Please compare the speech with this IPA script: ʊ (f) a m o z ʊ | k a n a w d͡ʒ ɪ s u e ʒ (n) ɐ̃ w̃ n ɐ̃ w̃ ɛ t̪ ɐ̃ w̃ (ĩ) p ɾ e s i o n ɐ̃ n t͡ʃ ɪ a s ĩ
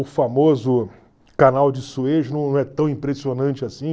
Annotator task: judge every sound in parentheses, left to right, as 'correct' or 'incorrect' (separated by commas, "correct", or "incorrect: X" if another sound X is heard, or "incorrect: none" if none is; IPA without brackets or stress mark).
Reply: correct, correct, correct